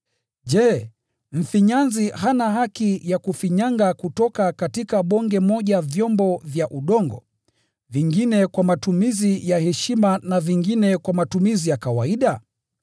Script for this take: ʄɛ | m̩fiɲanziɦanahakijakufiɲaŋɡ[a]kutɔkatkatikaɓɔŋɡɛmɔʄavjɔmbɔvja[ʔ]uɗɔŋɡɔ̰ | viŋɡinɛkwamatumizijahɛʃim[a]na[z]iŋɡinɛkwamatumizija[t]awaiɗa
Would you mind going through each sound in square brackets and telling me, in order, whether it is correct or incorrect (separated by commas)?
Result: correct, correct, correct, incorrect, incorrect